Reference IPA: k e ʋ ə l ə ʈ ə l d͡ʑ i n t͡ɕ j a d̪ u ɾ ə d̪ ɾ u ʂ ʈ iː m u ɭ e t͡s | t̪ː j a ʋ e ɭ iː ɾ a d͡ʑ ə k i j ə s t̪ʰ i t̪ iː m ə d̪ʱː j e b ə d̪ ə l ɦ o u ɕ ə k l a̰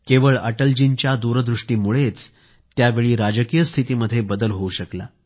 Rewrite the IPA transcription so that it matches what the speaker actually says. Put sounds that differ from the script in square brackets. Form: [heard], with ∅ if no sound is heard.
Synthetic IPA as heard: k e ʋ ə [ɭ] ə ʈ ə l d͡ʑ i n t͡ɕ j a d̪ u ɾ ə d̪ ɾ u ʂ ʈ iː m u ɭ e t͡s | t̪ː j a ʋ e ɭ iː ɾ a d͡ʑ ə k i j ə s t̪ʰ i t̪ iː m ə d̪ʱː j e b ə d̪ ə l ɦ o u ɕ ə k l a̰